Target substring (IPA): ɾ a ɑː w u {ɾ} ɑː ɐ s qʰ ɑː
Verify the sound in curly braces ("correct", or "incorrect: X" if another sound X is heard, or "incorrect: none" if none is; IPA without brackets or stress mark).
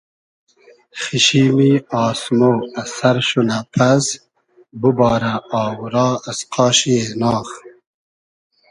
correct